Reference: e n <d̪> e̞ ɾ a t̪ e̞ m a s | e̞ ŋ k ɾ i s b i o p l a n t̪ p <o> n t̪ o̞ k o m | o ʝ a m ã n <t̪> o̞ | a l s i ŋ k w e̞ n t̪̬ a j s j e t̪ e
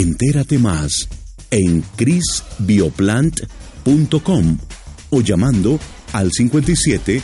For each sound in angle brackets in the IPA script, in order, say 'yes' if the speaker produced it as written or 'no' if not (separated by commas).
no, no, no